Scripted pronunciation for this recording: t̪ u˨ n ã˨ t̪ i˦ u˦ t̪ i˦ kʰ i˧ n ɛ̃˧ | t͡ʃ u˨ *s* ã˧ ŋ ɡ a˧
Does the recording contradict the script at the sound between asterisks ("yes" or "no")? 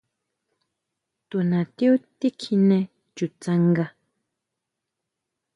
yes